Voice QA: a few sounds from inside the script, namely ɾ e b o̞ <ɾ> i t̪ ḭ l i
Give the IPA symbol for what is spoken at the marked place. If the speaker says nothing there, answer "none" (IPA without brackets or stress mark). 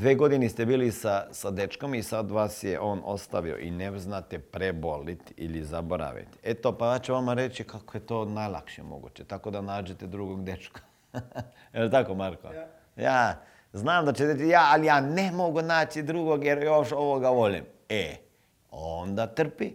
l